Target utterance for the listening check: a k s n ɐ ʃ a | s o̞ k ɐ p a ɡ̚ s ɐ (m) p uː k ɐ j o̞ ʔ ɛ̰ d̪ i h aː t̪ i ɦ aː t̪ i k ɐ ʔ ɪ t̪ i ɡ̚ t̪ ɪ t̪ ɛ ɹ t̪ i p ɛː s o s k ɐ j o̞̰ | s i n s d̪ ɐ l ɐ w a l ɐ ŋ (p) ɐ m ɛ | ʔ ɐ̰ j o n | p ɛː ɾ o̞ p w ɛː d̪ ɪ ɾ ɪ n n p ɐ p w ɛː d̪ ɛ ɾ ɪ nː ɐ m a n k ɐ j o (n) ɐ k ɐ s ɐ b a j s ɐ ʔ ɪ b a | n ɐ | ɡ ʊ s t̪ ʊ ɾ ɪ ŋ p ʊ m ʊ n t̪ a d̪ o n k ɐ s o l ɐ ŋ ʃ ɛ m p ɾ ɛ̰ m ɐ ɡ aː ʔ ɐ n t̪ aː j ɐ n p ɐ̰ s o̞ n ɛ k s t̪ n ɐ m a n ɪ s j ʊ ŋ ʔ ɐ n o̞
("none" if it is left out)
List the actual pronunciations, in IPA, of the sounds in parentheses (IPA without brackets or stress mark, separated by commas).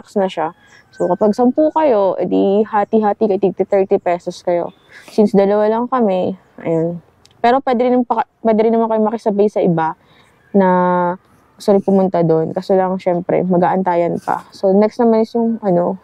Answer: m, k, m